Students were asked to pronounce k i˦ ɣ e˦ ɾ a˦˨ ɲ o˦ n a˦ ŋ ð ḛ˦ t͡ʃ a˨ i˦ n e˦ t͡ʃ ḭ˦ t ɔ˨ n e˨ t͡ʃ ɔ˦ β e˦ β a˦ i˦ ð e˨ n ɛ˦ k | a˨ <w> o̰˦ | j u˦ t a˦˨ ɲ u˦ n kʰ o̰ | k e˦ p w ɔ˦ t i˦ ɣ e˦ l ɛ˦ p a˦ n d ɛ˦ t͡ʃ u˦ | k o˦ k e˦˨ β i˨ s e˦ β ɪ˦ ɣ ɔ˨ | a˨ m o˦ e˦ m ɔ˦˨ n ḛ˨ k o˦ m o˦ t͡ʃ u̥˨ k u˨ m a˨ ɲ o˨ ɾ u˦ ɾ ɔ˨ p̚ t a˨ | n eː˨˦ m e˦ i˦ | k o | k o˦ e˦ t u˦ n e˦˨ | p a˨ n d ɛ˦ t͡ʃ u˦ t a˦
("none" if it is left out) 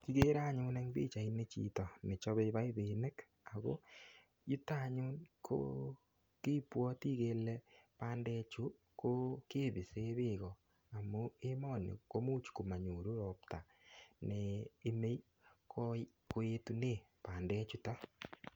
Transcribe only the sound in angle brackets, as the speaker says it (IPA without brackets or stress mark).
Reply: ɣ